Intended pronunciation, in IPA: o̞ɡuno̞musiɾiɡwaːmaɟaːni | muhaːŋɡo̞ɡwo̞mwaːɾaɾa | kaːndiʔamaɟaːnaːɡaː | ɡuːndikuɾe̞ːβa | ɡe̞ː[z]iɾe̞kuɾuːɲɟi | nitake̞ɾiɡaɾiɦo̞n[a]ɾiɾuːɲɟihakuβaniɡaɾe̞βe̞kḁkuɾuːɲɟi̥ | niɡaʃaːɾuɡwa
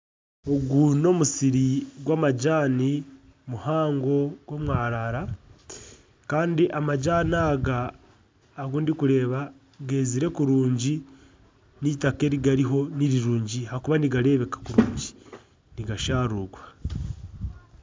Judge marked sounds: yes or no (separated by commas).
yes, no